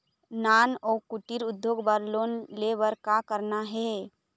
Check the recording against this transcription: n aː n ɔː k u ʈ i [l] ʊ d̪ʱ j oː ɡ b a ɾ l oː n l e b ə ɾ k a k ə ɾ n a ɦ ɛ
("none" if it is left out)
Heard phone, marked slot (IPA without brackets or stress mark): ɾ